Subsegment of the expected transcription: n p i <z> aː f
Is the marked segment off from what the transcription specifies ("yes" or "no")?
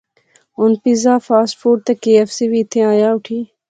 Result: no